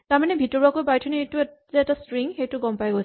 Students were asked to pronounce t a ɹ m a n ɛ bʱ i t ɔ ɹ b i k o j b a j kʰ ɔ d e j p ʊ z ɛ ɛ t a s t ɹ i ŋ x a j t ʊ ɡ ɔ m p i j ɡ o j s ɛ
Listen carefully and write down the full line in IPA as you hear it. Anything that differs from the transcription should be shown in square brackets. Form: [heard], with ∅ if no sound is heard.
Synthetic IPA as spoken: t a ɹ m a n ɛ bʱ i t ɔ ɹ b [a] k o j b a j [tʰ] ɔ [n] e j [t] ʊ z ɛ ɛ t a s t ɹ i ŋ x [e] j t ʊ ɡ ɔ m p [a] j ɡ o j s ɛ